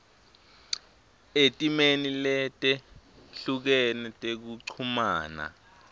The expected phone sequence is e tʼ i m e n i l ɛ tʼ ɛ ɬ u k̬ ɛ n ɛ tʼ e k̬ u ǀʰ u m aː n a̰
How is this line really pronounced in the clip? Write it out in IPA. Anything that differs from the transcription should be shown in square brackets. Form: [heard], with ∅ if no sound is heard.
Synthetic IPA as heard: e tʼ i m e n i l ɛ tʼ ɛ ɬ u k̬ ɛ n ɛ tʼ e k̬ u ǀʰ u m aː n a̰